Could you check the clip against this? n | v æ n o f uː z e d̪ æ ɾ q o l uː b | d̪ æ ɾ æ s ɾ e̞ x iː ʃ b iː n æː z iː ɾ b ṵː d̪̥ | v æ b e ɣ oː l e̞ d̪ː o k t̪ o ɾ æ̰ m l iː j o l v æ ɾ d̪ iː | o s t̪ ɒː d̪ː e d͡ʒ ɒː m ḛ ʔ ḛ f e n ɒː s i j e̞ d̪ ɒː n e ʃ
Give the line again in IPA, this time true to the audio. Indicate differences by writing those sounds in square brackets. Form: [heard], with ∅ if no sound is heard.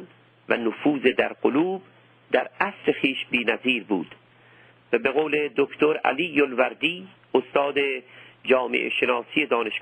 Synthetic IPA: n | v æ n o f uː z e d̪ æ ɾ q o l uː b | d̪ æ ɾ æ s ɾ e̞ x iː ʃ b iː n [æ] z iː ɾ b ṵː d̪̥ | v æ b e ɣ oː l e̞ [d̪] o k t̪ o ɾ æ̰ [∅] l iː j o l v æ ɾ d̪ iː | o s t̪ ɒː [d̪] e d͡ʒ ɒː m ḛ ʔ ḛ [ʃ] e n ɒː s i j e̞ d̪ ɒː n e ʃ